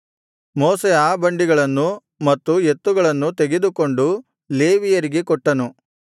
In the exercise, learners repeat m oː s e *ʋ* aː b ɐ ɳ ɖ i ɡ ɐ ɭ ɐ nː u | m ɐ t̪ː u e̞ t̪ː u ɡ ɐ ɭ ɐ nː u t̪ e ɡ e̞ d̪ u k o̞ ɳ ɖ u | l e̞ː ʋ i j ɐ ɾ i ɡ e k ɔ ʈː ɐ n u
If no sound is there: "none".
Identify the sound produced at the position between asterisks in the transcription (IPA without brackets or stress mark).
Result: none